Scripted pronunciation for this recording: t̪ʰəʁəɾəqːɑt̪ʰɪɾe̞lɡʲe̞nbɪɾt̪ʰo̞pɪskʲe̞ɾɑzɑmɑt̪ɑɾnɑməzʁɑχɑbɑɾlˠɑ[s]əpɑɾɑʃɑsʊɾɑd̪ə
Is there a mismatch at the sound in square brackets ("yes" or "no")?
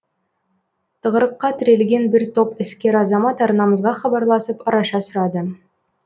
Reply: no